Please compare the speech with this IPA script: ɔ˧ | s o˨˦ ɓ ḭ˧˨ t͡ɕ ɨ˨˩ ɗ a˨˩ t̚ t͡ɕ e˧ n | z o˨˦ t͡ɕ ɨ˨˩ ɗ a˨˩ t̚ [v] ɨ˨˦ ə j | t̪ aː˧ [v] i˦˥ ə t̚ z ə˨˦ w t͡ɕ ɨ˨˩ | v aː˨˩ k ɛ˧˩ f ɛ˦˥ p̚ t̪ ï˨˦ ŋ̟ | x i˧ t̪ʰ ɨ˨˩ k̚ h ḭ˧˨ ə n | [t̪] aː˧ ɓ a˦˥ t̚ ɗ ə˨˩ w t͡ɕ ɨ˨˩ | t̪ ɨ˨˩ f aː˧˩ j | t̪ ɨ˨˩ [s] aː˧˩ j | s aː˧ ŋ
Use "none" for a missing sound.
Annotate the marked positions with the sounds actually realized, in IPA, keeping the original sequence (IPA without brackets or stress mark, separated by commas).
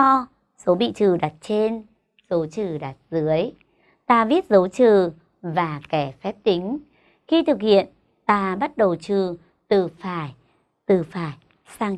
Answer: z, v, t̪, f